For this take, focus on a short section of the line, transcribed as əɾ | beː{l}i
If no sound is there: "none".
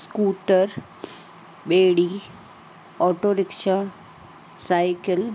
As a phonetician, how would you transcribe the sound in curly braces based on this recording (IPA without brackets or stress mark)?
ɽ